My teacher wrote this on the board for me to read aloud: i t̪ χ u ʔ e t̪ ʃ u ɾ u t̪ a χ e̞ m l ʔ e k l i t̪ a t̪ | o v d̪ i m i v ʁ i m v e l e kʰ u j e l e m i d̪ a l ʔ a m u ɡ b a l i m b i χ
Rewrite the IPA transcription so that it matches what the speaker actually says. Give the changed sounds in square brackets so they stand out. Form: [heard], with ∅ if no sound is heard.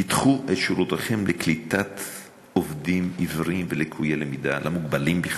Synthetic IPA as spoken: i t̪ χ u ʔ e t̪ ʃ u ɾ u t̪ a χ e̞ m l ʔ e k l i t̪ a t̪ | o v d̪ i m i v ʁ i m v e l e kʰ u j e l e m i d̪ a l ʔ a m u ɡ b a l i m b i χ